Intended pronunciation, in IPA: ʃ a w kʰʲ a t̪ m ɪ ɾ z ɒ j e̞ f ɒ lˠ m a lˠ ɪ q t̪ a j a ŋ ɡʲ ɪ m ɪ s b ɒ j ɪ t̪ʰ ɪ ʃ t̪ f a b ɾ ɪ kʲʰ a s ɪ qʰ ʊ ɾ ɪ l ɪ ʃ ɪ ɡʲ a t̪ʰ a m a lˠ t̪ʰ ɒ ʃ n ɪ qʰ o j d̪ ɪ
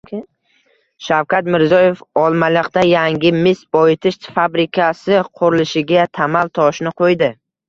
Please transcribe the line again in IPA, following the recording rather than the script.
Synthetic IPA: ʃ a w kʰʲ a t̪ m ɪ ɾ z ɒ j e̞ f ɒ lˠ m a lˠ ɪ q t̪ a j a ŋ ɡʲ ɪ m ɪ s b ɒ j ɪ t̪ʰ ɪ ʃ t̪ f a b ɾ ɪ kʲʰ a s ɪ qʰ ʊ ɾ ɪ l ɪ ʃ ɪ ɡʲ a t̪ʰ a m a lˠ t̪ʰ ɒ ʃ n ɪ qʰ o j d̪ ɪ